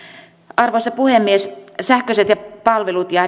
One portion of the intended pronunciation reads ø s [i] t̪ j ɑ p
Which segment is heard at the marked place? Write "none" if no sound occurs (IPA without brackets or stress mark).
e